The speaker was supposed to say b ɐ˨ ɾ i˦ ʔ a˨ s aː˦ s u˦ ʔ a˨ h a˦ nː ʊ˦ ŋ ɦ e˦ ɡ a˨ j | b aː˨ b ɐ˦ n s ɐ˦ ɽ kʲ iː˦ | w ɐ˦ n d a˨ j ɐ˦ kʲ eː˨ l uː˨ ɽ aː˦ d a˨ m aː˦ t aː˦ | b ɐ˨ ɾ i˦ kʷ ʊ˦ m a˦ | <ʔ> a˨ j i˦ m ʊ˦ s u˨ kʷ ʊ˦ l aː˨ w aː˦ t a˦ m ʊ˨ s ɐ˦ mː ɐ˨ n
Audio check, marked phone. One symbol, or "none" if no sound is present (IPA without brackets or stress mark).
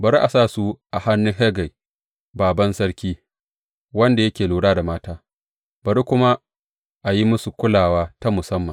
ʔ